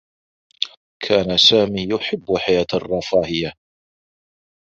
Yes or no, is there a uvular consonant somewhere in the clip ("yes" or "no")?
no